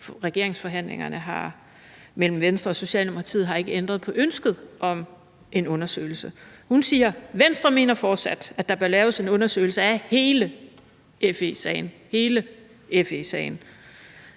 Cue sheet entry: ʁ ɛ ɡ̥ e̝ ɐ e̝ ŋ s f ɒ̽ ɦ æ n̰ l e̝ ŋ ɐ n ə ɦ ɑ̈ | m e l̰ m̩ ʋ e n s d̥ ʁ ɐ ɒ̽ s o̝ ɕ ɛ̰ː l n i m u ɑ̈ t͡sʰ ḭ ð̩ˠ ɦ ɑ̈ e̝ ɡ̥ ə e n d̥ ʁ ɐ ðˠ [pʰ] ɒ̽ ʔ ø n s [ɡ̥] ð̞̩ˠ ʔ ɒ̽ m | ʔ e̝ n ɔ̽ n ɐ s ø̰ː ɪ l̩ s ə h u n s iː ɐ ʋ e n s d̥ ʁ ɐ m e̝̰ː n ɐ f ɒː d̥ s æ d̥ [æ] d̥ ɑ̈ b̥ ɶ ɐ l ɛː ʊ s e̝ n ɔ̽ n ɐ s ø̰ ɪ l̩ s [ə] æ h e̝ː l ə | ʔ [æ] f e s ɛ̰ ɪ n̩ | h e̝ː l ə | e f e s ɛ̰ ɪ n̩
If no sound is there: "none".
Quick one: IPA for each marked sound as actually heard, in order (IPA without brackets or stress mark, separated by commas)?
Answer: pʰ, ɡ̥, æ, ə, e